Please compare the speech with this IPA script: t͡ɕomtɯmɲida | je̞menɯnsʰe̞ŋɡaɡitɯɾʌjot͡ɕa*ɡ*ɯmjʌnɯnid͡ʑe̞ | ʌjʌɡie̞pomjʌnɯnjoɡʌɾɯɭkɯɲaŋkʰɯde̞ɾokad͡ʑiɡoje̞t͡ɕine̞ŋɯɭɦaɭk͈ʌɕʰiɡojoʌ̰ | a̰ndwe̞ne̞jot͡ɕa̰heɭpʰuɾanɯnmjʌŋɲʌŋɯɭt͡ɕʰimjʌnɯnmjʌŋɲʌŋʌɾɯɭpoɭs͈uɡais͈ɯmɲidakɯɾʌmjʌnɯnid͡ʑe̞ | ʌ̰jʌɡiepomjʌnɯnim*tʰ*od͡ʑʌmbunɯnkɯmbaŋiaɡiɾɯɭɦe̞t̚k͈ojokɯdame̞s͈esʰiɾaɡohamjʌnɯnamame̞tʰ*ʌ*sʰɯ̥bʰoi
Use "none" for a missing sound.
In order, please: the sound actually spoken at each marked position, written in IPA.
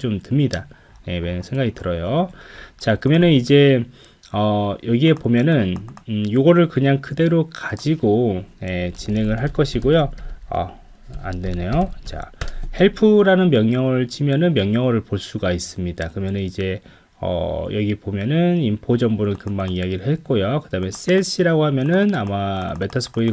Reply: k, pʰ, ʌ

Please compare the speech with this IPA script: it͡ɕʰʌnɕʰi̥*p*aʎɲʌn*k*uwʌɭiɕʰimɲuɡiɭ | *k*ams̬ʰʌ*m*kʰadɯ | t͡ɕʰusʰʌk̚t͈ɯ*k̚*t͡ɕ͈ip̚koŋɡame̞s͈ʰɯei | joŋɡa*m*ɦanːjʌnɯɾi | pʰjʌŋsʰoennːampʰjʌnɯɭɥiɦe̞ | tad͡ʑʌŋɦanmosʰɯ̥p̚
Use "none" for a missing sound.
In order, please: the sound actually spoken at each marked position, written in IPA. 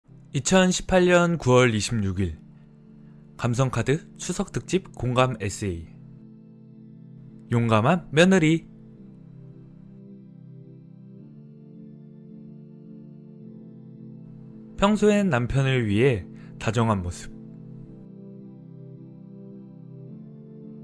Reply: pʰ, k, k, ŋ, k̚, m

